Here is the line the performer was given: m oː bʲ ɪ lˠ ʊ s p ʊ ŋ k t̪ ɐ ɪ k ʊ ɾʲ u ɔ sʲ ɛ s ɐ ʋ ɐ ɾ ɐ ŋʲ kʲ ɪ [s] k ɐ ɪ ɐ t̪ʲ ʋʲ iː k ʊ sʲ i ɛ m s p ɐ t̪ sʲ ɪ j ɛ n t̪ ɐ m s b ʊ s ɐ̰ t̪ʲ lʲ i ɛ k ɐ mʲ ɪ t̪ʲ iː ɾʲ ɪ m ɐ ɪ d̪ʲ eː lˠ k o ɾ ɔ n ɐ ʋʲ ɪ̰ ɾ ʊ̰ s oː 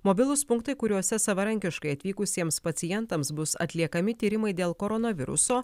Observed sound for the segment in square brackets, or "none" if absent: ʃ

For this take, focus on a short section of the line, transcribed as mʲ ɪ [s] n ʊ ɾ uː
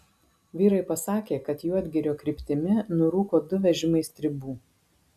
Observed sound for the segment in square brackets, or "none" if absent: none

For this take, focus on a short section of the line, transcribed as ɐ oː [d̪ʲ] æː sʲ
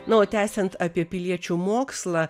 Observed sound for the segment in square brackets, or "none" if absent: t̪ʲ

